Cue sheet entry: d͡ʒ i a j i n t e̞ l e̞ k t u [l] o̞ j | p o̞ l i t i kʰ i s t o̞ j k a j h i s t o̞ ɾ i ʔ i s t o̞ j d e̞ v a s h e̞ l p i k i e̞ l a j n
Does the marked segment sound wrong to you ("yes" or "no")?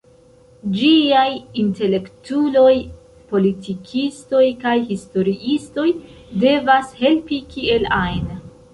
no